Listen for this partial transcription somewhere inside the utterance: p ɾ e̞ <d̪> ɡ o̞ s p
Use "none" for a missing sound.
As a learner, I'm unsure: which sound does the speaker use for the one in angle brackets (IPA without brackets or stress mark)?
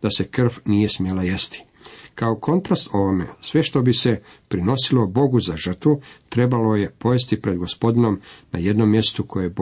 d̪